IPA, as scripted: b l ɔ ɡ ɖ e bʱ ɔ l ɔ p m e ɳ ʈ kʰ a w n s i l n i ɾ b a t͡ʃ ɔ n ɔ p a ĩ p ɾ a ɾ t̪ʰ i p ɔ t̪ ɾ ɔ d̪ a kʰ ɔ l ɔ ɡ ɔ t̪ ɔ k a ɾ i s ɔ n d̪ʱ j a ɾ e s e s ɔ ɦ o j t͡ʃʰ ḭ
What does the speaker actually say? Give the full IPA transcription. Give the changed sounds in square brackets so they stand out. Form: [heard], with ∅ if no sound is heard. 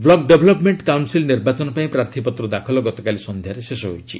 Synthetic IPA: b l ɔ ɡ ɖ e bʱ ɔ l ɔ p m e ɳ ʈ [k] a w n s i l n i ɾ b a t͡ʃ ɔ n ɔ p a ĩ p ɾ a ɾ t̪ʰ i p ɔ t̪ ɾ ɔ d̪ a kʰ ɔ l ɔ ɡ ɔ t̪ ɔ k a [l] i s ɔ n d̪ʱ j a ɾ e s e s ɔ ɦ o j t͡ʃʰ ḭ